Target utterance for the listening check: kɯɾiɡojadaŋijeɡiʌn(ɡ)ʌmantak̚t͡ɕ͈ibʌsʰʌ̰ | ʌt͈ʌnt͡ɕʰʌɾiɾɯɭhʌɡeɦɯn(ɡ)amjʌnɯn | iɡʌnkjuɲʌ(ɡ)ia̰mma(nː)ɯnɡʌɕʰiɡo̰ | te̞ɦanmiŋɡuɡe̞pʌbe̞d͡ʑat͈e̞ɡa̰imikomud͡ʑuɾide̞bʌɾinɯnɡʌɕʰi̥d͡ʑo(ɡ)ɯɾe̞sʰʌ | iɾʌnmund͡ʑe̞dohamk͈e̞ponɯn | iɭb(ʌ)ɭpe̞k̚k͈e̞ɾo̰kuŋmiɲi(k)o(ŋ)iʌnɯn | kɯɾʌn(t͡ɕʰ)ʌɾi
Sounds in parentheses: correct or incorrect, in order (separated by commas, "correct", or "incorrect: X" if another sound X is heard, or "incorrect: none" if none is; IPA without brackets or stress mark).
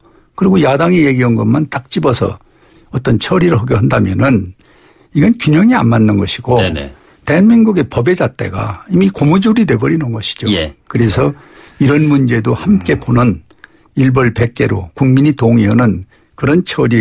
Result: correct, incorrect: d, incorrect: ŋ, correct, incorrect: k, correct, incorrect: t, correct, correct